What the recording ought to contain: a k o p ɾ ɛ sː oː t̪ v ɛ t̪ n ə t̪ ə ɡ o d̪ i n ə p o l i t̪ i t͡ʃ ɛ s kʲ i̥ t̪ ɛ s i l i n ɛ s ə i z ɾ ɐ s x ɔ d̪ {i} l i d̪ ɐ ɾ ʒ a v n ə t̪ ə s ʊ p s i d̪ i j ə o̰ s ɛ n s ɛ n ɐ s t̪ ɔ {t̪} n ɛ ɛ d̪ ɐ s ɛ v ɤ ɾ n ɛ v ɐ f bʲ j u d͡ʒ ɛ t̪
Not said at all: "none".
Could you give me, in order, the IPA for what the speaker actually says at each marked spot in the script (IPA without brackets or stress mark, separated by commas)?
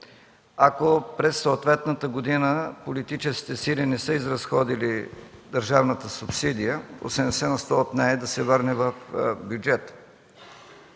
i, t̪